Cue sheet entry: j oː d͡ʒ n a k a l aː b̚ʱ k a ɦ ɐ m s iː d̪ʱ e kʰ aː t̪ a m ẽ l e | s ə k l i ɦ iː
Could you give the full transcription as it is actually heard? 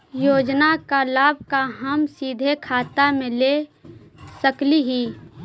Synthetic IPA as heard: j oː d͡ʒ n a k a l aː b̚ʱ k a ɦ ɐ m s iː d̪ʱ e kʰ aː t̪ a m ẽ l e | s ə k l i ɦ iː